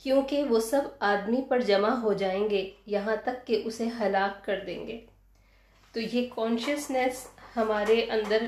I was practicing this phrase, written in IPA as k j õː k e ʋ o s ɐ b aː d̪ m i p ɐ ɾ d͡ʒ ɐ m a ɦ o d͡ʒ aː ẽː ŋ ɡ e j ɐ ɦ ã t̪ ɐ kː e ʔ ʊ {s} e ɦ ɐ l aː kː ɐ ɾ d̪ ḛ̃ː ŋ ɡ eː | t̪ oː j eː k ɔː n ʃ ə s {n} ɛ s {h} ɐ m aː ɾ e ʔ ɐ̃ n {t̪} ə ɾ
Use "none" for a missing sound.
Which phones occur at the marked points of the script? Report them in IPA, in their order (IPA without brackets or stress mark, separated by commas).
s, n, h, d̪